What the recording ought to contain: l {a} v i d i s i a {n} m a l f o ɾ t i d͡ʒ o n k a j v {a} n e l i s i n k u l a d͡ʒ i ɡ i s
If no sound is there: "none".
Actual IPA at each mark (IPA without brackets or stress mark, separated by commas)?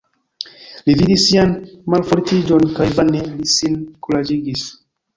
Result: i, n, a